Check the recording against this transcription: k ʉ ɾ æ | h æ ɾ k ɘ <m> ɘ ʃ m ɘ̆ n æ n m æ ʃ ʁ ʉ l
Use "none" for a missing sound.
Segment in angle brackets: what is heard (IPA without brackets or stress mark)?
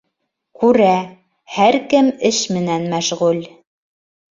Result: m